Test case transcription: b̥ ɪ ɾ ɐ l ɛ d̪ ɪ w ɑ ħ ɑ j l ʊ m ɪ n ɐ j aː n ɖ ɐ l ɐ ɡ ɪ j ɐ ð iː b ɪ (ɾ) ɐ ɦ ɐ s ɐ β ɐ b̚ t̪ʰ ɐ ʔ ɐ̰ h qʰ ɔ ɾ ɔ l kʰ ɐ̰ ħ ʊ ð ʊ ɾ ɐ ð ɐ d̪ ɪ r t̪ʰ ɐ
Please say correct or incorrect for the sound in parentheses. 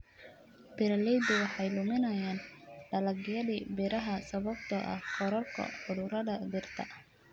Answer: correct